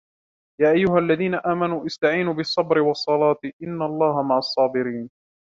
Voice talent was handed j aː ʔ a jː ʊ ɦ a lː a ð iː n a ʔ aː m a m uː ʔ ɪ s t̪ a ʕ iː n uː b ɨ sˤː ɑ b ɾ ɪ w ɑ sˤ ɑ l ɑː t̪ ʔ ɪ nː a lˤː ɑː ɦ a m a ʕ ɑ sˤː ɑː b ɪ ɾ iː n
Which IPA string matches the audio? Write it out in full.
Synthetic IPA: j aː ʔ a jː ʊ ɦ a lː a ð iː n a ʔ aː m a n uː ʔ ɪ s t̪ a ʕ iː n uː b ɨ sˤː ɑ b ɾ ɪ w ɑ sˤː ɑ l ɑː t̪ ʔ ɪ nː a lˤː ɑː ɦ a m a ʕ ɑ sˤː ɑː b ɪ ɾ iː n